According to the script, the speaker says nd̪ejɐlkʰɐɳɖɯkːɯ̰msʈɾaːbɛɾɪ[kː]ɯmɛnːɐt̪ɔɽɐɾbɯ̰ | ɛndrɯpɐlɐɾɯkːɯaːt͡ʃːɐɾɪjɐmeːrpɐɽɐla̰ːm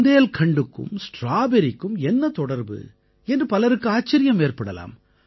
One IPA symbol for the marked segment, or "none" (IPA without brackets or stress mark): kː